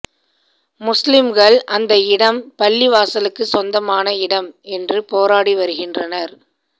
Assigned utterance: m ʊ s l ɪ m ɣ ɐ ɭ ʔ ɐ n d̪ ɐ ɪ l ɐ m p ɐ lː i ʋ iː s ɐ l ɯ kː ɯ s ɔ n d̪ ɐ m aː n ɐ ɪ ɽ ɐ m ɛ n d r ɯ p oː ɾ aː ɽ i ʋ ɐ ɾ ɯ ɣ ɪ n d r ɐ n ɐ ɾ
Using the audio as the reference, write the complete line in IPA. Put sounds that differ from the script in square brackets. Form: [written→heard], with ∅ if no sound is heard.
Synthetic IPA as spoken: m ʊ s l ɪ m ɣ ɐ ɭ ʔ ɐ n d̪ ɐ ɪ [l→ɽ] ɐ m p ɐ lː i ʋ [iː→aː] s ɐ l ɯ kː ɯ s ɔ n d̪ ɐ m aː n ɐ ɪ ɽ ɐ m ɛ n d r ɯ p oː ɾ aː ɽ i ʋ ɐ ɾ ɯ ɣ ɪ n d r ɐ n ɐ ɾ